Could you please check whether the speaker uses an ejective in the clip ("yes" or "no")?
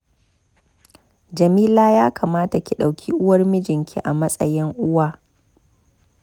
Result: yes